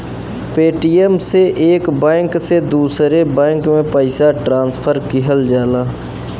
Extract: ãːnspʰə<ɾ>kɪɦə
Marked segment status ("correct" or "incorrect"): correct